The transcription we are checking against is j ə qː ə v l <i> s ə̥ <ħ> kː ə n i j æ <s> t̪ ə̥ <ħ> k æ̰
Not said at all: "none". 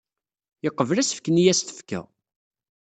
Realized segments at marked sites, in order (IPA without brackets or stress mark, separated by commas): æ, f, s, f